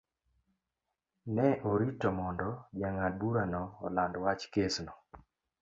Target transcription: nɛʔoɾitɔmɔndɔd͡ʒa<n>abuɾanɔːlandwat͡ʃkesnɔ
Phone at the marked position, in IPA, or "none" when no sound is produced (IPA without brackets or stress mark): ŋ